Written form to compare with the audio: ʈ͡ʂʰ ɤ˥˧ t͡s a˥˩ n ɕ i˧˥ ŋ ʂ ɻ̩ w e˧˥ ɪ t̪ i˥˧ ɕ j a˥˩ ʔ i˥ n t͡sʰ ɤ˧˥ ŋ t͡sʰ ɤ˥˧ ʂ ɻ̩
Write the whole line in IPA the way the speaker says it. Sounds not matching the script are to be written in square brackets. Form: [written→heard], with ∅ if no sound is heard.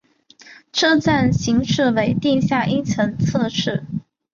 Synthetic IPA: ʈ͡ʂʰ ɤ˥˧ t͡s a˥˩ n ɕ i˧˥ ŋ ʂ ɻ̩ w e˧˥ ɪ t̪ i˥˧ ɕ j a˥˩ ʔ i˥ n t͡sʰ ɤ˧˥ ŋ t͡sʰ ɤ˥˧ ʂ ɻ̩